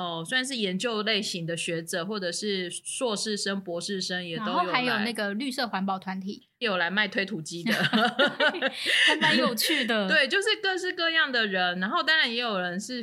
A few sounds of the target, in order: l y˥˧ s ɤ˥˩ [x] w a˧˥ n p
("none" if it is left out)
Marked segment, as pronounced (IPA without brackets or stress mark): x